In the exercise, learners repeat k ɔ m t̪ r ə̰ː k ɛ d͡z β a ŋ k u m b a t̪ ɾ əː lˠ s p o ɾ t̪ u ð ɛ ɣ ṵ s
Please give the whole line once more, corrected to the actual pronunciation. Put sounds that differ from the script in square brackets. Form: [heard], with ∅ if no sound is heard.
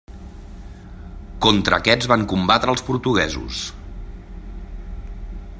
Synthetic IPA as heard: k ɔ [n] t̪ [ɾ] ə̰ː k ɛ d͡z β a ŋ k u m b a t̪ ɾ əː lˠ s p [u] ɾ t̪ u [ɣ] ɛ [z] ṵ s